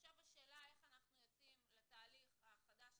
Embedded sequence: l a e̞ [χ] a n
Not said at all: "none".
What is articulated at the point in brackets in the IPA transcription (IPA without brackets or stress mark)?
χ